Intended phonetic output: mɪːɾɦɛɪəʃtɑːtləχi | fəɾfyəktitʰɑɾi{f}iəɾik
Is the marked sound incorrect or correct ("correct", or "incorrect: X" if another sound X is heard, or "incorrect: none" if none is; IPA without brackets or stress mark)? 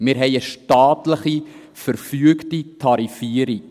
correct